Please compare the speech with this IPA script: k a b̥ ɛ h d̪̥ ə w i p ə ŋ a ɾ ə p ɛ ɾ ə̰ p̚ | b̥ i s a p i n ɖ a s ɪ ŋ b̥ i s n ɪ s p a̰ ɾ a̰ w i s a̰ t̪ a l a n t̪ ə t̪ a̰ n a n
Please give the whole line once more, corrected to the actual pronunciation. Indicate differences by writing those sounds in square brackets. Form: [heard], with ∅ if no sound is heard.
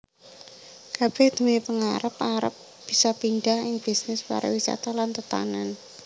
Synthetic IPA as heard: k a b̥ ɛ h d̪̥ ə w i p ə ŋ a ɾ ə p [a] ɾ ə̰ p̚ | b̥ i s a p i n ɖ a [h] ɪ ŋ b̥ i s n ɪ s p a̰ ɾ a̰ w i s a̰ t̪ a l a n t̪ ə t̪ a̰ n a n